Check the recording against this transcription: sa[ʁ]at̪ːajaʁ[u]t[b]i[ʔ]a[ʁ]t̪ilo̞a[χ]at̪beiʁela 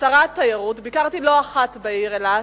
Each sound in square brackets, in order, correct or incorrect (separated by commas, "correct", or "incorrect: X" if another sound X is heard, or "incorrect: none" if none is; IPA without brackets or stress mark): correct, correct, correct, incorrect: k, correct, correct